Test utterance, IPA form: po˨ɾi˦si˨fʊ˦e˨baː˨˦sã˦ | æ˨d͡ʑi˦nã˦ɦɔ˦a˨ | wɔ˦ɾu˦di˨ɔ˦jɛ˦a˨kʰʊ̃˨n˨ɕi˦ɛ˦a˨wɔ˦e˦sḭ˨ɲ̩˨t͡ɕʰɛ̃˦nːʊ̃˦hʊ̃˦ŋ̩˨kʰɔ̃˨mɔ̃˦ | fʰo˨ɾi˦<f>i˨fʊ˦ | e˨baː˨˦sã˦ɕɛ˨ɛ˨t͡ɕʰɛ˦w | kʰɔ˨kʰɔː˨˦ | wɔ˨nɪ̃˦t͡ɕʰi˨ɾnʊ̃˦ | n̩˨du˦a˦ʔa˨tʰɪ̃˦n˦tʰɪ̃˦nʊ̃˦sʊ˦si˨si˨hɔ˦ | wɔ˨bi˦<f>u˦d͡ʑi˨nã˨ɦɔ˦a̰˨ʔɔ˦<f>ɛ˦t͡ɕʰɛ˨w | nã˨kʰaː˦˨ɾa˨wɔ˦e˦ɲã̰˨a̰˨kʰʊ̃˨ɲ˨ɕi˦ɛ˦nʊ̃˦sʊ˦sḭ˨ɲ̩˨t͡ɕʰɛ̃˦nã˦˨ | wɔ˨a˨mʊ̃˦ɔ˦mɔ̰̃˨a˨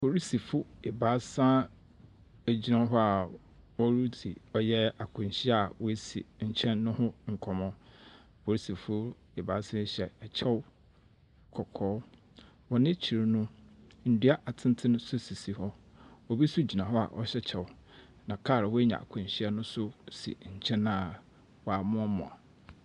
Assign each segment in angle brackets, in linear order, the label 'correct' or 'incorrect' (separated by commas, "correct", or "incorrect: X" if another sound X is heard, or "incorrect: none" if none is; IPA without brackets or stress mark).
incorrect: s, incorrect: s, incorrect: ɕ